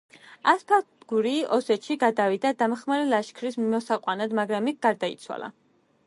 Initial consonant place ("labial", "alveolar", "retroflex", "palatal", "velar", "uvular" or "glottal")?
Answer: alveolar